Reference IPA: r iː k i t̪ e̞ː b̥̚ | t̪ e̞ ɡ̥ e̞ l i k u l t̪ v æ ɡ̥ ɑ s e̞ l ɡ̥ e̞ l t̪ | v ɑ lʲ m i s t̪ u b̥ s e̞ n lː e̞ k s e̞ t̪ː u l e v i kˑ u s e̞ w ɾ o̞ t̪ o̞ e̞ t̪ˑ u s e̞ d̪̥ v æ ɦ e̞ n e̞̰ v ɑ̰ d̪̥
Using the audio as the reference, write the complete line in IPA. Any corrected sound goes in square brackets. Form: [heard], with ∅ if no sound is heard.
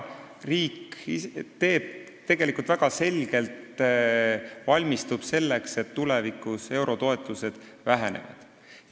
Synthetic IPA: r iː k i t̪ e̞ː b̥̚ | t̪ e̞ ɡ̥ e̞ l i k u l t̪ v æ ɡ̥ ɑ s e̞ l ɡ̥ e̞ l t̪ | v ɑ lʲ m i s t̪ u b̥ s e̞ [∅] lː e̞ k s e̞ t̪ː u l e v i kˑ u s e̞ w ɾ o̞ t̪ o̞ e̞ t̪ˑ u s e̞ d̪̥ v æ ɦ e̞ n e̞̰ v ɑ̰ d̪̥